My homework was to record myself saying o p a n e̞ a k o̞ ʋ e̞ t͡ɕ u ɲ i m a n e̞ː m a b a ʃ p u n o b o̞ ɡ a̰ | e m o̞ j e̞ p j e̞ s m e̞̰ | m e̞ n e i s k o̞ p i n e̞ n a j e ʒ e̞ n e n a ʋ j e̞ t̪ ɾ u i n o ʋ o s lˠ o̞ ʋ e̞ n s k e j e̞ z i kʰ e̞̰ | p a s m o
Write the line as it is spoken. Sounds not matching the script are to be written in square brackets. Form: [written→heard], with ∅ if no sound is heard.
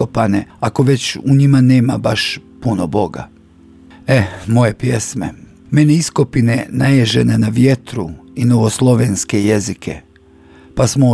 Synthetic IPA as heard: o p a n e̞ a k o̞ ʋ e̞ t͡ɕ u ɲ i m a n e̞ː m a b a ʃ p u n o b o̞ ɡ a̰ | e m o̞ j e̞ p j e̞ s m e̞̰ | m e̞ n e i s k o̞ p i n e̞ n a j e ʒ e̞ n e n a ʋ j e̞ t̪ ɾ u i n o ʋ o s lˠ o̞ ʋ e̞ n s k e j e̞ z i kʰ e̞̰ | p a s m o